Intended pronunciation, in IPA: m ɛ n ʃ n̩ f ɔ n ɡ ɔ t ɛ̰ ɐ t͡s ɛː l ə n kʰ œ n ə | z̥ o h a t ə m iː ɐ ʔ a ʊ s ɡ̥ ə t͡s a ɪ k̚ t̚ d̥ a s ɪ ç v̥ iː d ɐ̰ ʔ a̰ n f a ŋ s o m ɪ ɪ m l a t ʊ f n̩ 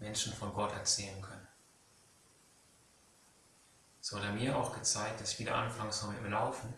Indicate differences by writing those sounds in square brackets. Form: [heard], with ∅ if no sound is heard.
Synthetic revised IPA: m ɛ n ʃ n̩ f ɔ n ɡ ɔ t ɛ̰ ɐ t͡s ɛː l ə n kʰ œ n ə | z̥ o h a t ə m iː ɐ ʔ a ʊ [x] ɡ̥ ə t͡s a ɪ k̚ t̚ d̥ a s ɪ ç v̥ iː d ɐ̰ ʔ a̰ n f a ŋ s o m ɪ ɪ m l a [∅] ʊ f n̩